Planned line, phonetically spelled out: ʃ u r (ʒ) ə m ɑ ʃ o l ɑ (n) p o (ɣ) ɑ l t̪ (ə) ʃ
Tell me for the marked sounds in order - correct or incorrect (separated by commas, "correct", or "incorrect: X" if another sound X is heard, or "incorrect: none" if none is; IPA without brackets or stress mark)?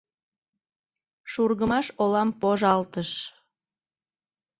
incorrect: ɣ, incorrect: m, incorrect: ʒ, correct